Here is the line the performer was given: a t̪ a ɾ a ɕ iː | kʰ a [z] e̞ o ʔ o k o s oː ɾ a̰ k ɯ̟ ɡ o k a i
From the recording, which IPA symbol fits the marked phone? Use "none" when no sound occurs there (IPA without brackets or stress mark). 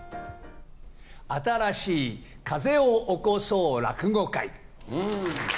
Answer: z